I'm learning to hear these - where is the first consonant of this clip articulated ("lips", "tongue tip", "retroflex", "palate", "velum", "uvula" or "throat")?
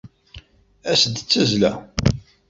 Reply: tongue tip